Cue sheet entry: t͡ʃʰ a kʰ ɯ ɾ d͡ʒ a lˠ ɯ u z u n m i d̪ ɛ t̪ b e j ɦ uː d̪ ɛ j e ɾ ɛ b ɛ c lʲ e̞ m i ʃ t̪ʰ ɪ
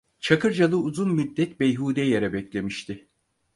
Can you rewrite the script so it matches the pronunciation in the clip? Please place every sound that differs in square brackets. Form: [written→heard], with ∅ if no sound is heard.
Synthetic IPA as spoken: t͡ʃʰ a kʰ ɯ ɾ d͡ʒ a lˠ ɯ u z u n m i [d̪→d̪ː] ɛ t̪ b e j ɦ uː d̪ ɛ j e ɾ ɛ b ɛ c lʲ e̞ m i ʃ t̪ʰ ɪ